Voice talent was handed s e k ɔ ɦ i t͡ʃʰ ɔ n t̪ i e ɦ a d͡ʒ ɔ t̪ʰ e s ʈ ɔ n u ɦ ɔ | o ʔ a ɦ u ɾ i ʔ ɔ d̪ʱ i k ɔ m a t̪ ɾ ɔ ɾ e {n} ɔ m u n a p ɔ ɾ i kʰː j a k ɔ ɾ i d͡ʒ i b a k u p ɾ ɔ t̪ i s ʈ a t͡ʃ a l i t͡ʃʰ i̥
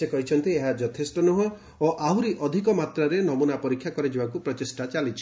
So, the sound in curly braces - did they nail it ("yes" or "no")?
yes